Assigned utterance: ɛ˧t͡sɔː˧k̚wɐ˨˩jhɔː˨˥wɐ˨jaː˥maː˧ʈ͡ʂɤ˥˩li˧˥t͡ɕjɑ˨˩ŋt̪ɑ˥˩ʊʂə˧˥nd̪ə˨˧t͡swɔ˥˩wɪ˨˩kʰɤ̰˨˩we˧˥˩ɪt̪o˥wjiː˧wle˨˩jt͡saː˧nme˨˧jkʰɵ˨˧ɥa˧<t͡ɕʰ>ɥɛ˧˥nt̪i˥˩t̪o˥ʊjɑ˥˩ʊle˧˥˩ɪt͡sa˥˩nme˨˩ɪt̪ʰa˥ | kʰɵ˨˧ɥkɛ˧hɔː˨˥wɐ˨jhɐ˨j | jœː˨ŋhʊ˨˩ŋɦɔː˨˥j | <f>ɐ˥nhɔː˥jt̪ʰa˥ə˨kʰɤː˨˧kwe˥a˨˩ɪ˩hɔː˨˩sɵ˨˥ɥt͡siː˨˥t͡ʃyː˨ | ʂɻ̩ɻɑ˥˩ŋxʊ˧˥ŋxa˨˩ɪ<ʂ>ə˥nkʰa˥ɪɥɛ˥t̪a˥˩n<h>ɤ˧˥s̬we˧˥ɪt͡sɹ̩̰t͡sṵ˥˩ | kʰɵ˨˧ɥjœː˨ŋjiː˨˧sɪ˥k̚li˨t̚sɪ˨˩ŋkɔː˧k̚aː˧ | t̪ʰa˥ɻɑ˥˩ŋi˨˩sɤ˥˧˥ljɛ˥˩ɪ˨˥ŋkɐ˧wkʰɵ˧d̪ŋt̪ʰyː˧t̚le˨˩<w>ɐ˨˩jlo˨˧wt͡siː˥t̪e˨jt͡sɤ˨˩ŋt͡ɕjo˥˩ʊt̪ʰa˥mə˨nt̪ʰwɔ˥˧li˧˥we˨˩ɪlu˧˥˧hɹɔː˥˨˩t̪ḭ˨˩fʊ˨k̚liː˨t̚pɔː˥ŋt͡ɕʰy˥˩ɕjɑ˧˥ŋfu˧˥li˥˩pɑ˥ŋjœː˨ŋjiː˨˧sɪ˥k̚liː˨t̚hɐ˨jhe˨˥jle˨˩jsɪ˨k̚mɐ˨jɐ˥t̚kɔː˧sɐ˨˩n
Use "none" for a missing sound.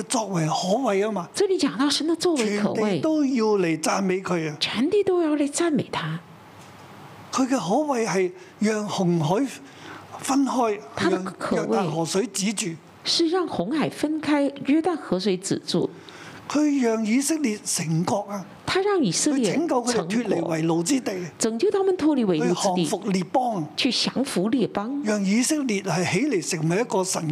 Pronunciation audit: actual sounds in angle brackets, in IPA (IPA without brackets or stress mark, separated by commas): t͡ɕʰ, f, f, x, w